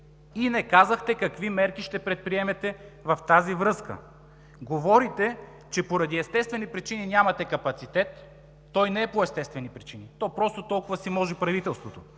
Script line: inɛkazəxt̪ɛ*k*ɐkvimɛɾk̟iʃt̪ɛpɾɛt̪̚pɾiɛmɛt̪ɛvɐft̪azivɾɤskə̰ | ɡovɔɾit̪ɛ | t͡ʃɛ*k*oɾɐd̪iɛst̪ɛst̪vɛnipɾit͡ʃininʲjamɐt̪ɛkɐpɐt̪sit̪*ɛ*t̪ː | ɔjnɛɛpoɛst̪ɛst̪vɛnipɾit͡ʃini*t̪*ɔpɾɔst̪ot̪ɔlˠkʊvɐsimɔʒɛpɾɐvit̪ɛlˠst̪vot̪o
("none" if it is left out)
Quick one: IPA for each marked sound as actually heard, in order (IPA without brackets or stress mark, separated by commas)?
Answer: k, p, ɛ, t̪